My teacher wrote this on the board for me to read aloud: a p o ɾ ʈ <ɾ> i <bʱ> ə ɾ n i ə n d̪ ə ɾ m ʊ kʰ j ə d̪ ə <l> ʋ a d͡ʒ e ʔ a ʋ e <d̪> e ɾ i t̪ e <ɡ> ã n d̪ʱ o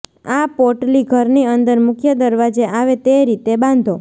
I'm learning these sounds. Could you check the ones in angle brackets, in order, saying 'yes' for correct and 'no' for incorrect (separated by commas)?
no, no, no, no, no